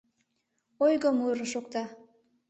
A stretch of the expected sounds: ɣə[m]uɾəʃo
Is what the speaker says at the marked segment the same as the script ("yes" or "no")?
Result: yes